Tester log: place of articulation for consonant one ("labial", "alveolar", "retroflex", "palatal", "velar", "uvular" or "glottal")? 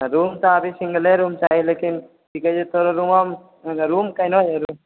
alveolar